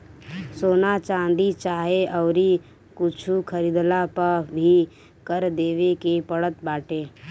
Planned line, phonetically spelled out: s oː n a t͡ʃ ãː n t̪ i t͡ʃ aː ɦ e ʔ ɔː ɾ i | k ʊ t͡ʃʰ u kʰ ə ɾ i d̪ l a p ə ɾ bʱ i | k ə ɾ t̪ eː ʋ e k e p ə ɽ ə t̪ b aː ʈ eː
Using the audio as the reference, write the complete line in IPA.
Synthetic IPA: s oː n a t͡ʃ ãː n d̪ i t͡ʃ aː ɦ e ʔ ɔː ɾ i | k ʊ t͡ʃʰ u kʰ ə ɾ i d̪ l a p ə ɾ bʱ i | k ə ɾ d̪ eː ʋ e k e p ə ɽ ə t̪ b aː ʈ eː